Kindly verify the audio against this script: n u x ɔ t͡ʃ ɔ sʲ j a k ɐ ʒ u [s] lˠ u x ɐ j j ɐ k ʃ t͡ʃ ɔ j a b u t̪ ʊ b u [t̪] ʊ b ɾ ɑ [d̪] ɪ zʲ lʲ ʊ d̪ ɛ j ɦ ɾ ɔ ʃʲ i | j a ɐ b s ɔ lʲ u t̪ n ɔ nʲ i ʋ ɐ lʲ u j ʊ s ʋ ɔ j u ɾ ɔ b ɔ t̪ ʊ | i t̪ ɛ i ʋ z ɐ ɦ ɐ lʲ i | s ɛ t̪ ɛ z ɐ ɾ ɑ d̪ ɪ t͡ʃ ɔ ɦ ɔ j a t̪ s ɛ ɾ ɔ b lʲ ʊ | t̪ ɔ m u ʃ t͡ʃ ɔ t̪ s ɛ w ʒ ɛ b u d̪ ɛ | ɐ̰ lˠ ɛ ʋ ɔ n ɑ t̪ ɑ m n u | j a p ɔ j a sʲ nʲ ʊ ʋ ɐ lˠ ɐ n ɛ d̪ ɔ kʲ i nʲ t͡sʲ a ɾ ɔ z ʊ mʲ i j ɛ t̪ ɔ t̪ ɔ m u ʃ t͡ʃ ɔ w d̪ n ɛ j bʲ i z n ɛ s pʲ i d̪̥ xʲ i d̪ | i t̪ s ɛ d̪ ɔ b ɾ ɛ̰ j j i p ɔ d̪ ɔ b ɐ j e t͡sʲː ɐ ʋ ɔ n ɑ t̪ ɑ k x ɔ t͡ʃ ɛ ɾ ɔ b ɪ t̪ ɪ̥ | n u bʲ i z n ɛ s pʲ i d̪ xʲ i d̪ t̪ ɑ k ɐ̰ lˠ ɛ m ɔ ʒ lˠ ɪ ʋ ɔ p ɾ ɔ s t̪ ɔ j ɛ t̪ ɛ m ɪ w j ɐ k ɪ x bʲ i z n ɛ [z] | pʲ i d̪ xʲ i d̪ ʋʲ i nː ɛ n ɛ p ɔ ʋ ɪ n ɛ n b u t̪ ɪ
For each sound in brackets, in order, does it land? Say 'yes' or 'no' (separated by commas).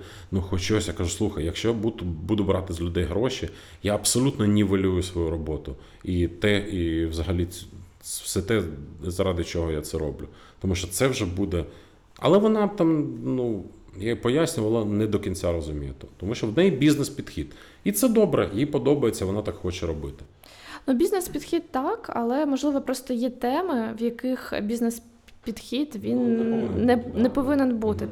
yes, no, no, no